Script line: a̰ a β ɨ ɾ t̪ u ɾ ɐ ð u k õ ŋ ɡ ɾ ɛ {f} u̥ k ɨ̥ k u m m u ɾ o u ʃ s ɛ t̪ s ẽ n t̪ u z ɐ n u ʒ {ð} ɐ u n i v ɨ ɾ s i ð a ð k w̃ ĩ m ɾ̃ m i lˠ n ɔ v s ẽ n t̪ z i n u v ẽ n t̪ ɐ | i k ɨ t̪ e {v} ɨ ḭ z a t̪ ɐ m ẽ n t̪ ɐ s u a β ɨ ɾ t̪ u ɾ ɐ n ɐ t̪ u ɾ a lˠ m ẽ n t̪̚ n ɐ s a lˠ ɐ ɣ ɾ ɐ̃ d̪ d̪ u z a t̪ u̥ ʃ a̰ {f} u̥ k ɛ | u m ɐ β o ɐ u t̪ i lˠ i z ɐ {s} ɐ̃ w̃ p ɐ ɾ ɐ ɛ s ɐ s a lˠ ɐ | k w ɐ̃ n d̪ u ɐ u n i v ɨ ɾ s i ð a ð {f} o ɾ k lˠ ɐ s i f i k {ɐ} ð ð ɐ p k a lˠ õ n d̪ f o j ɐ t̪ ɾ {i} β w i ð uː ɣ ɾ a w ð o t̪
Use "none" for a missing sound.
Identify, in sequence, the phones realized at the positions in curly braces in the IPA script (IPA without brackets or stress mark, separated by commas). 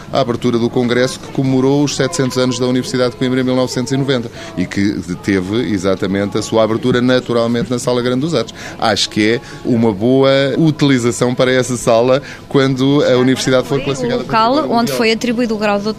s, ð, v, ʃ, s, f, a, i